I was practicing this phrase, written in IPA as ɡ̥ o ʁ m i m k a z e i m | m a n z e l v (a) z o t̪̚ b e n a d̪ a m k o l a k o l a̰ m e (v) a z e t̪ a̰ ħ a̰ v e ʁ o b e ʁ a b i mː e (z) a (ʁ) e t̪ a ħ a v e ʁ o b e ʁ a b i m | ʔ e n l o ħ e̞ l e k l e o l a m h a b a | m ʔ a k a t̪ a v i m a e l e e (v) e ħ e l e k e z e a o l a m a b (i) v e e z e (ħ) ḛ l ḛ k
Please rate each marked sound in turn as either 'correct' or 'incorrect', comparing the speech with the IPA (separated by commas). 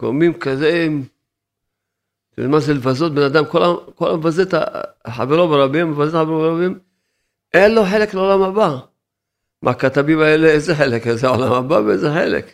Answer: correct, correct, incorrect, incorrect, incorrect, incorrect, correct